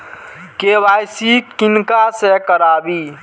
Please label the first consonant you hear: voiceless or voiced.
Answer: voiceless